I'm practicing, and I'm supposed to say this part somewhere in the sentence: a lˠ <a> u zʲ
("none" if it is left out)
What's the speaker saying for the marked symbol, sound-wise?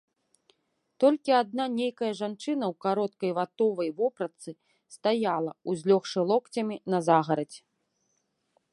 ɐ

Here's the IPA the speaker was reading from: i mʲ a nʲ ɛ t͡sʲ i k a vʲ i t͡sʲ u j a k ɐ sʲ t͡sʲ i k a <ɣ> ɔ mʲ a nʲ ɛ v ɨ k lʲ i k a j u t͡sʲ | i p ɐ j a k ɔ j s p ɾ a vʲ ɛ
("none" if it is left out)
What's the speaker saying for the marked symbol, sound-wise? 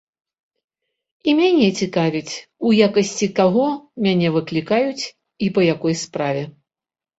ɣ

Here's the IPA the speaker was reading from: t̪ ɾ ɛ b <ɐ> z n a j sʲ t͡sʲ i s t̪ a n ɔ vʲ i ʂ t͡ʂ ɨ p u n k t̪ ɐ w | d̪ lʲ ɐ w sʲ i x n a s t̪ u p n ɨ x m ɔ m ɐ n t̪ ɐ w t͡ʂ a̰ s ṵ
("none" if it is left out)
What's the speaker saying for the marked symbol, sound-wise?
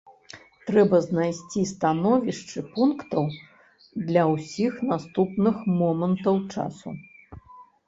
ɐ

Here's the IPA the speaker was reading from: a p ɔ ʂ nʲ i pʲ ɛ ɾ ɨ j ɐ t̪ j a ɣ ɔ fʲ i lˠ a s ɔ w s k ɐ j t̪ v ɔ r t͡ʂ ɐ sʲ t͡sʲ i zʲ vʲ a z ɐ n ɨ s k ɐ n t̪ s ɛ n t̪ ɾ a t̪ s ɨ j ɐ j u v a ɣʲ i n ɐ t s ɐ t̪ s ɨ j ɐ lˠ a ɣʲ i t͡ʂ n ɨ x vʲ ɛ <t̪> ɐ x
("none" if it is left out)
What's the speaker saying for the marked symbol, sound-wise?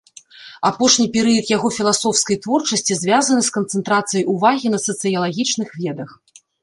d̪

